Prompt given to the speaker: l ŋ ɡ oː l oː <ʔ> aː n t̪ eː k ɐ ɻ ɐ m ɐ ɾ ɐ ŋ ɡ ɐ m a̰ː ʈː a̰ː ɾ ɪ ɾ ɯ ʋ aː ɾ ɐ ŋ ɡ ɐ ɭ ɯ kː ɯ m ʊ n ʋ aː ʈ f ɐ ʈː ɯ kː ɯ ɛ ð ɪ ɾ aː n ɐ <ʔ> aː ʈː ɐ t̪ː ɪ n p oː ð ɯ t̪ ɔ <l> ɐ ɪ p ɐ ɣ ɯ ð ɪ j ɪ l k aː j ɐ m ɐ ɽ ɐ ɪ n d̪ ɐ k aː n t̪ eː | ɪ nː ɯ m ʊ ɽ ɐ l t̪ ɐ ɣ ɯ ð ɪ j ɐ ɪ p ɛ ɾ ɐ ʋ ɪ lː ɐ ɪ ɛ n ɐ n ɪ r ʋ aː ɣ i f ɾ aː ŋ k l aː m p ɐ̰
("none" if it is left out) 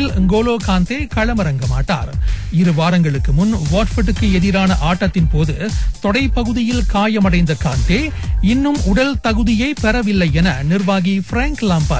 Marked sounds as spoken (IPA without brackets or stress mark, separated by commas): k, ʔ, ɽ